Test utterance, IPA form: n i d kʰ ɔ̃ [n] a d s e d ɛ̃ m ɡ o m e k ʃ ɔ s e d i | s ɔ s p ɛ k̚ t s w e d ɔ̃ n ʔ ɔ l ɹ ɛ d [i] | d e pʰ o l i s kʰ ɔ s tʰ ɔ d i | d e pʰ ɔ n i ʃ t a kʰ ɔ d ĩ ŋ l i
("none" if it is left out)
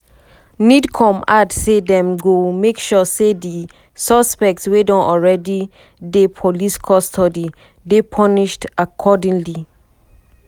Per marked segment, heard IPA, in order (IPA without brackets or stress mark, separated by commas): m, i